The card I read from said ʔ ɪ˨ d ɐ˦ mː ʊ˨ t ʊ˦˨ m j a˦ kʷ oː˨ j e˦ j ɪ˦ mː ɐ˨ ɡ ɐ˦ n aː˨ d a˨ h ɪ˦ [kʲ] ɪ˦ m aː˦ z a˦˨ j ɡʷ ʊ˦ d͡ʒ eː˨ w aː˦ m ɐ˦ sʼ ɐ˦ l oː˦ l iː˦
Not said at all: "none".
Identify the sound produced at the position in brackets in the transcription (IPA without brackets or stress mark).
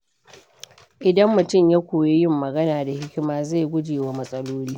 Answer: kʲ